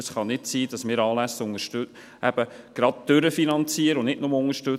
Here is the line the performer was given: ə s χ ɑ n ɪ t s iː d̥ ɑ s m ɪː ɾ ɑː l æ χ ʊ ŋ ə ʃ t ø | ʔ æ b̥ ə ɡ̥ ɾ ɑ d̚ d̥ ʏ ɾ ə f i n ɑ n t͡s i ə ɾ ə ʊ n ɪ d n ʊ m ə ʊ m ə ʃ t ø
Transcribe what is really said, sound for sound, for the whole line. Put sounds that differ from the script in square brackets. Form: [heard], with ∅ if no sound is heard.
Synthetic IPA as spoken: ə s χ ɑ n ɪ t s iː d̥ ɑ s m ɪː ɾ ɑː l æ [s] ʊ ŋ ə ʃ t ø | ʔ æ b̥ ə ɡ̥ ɾ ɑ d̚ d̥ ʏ ɾ ə f i n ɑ n t͡s i ə ɾ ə ʊ n ɪ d n ʊ m ə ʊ [ŋ] ə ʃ t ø